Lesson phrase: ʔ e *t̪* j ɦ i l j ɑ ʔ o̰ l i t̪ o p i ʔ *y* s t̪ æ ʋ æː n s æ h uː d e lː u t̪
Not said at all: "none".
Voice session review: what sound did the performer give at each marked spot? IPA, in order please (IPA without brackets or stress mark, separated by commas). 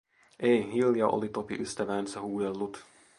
none, y